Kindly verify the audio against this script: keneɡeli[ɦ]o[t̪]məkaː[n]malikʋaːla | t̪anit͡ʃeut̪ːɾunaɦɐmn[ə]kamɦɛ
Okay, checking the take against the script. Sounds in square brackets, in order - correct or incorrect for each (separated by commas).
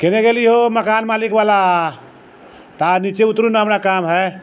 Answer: correct, incorrect, correct, incorrect